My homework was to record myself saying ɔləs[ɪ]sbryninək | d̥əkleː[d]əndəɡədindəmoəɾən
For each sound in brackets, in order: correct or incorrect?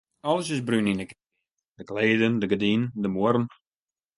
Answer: correct, correct

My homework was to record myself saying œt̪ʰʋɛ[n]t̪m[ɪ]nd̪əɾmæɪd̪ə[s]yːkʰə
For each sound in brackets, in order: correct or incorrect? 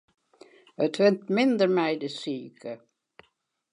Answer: correct, correct, correct

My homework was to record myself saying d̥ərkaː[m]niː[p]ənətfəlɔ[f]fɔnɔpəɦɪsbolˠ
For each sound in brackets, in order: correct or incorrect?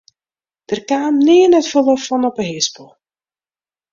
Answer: correct, incorrect: none, correct

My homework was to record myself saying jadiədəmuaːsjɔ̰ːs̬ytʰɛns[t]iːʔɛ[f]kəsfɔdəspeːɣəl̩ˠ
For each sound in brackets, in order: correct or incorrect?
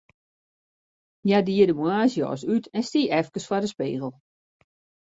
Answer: correct, correct

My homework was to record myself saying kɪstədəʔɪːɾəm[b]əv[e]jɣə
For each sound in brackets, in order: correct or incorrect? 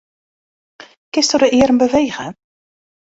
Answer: correct, correct

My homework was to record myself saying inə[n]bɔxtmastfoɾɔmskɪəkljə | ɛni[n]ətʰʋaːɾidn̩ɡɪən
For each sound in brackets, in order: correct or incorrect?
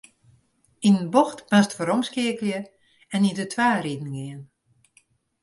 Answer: correct, incorrect: d

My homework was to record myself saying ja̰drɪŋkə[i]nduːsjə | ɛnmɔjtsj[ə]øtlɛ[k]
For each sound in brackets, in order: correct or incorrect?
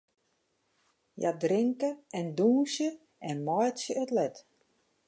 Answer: incorrect: ɛ, correct, incorrect: t

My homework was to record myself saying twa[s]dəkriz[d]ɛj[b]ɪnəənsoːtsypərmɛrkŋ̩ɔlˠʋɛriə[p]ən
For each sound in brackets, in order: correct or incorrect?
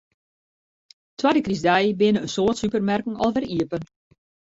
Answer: incorrect: none, correct, correct, correct

